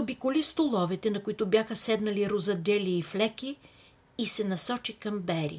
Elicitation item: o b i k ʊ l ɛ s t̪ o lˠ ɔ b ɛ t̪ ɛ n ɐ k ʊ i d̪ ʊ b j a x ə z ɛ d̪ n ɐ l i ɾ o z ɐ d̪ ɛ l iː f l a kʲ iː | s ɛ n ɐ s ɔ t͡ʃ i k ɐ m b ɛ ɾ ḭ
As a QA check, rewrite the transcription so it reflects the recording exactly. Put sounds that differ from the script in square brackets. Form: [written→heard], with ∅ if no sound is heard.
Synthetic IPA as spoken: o b i k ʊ l [ɛ→i] s t̪ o lˠ ɔ [b→v] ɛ t̪ ɛ n ɐ k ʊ i [d̪→t̪] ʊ b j a x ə [z→s] ɛ d̪ n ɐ l i ɾ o z ɐ d̪ ɛ l iː f l [a→ɛ] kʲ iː | s ɛ n ɐ s ɔ t͡ʃ i k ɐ m b ɛ ɾ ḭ